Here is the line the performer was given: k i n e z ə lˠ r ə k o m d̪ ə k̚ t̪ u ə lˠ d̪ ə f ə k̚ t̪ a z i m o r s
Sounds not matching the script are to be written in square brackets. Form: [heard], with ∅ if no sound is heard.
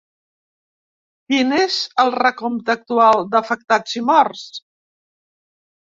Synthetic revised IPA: k i n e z ə lˠ r ə k o m [t̪] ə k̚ t̪ u [a] lˠ d̪ ə f ə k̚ t̪ a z i m [ɔ] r s